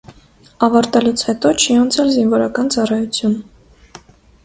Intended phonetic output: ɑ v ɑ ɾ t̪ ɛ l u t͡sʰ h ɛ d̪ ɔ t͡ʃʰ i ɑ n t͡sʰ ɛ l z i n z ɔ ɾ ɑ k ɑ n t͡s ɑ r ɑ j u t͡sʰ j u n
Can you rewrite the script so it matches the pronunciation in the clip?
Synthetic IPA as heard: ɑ v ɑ ɾ t̪ ɛ l u t͡sʰ h ɛ t̪ ɔ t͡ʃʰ i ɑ n t͡sʰ ɛ l z i n v ɔ ɾ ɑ k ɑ n t͡s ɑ r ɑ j u t͡sʰ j u n